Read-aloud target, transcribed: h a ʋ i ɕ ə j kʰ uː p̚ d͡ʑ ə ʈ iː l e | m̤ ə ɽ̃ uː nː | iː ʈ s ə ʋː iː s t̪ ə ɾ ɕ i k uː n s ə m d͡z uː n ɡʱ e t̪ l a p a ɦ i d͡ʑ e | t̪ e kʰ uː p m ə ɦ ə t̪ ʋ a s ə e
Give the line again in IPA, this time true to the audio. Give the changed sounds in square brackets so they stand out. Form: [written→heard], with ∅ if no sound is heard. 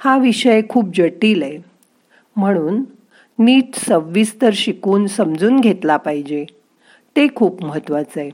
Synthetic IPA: h a ʋ i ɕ ə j kʰ uː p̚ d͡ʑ ə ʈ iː l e | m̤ ə ɽ̃ uː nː | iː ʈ s ə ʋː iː s t̪ ə ɾ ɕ i k uː n s ə m d͡z uː n ɡʱ e t̪ l a p a ɦ i d͡ʑ e | t̪ e kʰ uː p m ə ɦ ə t̪ ʋ a [s→t͡s] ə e